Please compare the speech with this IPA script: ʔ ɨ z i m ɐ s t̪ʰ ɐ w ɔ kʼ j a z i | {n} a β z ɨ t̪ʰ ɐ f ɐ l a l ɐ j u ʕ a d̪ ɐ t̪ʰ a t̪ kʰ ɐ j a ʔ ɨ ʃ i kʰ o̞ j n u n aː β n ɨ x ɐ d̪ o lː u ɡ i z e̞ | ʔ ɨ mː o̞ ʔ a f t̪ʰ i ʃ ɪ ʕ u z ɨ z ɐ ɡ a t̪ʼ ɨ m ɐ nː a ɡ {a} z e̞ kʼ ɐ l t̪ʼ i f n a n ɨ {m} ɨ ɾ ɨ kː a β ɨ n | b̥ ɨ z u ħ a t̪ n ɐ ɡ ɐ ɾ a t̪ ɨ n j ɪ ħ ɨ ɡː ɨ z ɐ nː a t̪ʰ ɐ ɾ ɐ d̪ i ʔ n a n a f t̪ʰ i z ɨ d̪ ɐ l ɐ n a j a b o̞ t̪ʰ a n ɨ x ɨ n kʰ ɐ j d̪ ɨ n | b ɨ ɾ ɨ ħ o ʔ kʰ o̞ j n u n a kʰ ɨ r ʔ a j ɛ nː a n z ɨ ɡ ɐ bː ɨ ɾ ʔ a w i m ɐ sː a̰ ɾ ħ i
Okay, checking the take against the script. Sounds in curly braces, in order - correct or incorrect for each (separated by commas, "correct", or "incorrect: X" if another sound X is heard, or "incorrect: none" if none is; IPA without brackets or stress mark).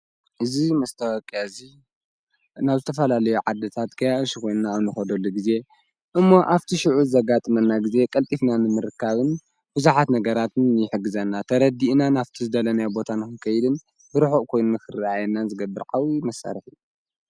correct, incorrect: i, correct